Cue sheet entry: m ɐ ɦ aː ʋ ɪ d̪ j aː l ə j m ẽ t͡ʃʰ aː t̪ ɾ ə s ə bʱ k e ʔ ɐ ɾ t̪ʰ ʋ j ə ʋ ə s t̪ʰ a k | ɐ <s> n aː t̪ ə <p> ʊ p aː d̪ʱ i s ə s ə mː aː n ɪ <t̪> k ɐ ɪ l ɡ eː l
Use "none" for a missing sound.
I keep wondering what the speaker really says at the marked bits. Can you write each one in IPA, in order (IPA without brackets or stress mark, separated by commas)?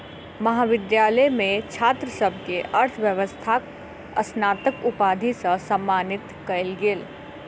s, k, t̪